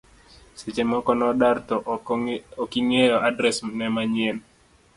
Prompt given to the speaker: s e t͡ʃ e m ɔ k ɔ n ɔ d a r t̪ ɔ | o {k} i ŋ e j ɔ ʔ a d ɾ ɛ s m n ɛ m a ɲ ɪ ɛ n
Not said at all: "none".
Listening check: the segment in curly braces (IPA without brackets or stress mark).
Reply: k